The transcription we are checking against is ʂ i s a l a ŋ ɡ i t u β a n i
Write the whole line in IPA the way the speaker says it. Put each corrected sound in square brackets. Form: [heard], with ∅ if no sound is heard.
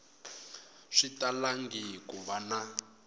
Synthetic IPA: ʂ i [t] a l a ŋ ɡ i [k] u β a n [a]